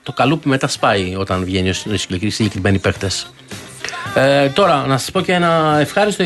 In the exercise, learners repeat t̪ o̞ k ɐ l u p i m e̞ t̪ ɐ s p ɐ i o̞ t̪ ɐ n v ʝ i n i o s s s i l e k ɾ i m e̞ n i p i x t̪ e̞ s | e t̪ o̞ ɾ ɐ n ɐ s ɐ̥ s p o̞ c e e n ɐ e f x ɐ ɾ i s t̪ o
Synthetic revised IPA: t̪ o̞ k ɐ l u p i m e̞ t̪ ɐ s p ɐ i o̞ t̪ ɐ n v ʝ e n i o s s s i l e k ɾ i m e̞ n i p e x t̪ e̞ s | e t̪ o̞ ɾ ɐ n ɐ s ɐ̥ s p o̞ c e e n ɐ e f x ɐ ɾ i s t̪ o